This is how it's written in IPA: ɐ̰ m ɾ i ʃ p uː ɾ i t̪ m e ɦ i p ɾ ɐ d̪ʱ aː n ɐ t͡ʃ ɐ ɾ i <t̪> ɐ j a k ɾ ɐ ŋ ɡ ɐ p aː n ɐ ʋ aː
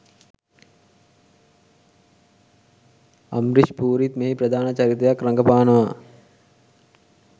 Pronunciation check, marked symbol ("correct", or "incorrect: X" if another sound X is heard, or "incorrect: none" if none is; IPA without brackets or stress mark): correct